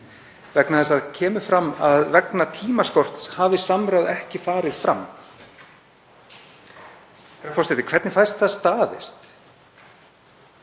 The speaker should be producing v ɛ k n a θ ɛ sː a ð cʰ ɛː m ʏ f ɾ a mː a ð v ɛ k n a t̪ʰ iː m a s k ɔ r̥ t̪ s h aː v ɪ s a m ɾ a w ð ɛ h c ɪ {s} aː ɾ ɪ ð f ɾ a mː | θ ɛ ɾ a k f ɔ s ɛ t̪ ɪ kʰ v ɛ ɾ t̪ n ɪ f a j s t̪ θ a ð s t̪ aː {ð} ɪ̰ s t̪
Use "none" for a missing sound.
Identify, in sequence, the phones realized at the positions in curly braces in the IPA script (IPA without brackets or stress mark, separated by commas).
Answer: f, ð